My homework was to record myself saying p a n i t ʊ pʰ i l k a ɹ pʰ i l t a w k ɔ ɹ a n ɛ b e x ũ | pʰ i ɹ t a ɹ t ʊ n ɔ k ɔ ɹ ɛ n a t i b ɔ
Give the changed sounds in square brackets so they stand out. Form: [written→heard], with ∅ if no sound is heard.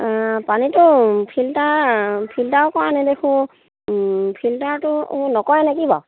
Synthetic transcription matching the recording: p a n i t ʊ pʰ i l [k→t] a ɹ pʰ i l t a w k ɔ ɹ a n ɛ [b→d] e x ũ | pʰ i [ɹ→l] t a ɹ t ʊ n ɔ k ɔ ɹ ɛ n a [t→k] i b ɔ